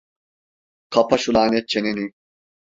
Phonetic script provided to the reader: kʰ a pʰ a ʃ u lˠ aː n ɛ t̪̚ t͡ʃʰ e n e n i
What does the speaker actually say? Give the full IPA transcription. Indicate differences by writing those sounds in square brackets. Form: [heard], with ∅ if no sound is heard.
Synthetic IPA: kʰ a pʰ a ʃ u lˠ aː n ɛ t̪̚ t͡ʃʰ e n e n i